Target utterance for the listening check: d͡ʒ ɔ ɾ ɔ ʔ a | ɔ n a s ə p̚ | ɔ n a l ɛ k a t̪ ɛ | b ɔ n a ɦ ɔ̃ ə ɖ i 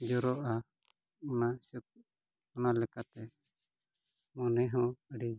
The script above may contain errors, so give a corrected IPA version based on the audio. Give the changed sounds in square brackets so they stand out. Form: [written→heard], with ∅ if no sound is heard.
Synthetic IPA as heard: d͡ʒ ɔ ɾ ɔ ʔ a | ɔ n a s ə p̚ | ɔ n a l ɛ k a t̪ ɛ | [b→m] ɔ n [a→ɛ] ɦ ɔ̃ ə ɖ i